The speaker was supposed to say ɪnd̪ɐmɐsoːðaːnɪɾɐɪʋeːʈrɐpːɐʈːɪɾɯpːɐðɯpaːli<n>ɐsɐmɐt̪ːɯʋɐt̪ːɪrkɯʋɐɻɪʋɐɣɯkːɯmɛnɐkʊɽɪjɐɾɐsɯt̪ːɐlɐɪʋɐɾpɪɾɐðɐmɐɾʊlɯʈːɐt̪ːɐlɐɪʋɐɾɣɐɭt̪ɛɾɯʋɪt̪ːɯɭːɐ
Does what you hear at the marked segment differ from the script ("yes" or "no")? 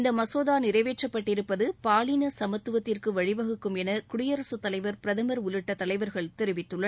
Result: no